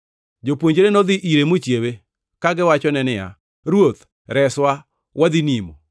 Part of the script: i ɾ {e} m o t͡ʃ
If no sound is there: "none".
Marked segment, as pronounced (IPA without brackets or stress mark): e